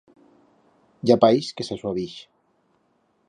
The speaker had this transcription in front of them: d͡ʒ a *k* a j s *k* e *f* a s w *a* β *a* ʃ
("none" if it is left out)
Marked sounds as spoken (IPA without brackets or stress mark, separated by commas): p, k, s, a, i